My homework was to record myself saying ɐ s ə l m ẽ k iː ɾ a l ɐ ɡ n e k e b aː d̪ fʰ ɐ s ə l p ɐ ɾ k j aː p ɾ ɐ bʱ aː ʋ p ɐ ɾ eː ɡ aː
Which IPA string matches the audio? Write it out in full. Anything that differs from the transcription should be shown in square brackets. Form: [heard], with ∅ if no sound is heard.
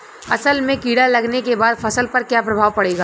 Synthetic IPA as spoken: ɐ s ə l m ẽ k iː [ɽ] a l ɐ ɡ n e k e b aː d̪ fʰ ɐ s ə l p ɐ ɾ k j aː p ɾ ɐ bʱ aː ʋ p ɐ [ɽ] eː ɡ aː